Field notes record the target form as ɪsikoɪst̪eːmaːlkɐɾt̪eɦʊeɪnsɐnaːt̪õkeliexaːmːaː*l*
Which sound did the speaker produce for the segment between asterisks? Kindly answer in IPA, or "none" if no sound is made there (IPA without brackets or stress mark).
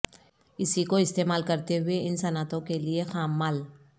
l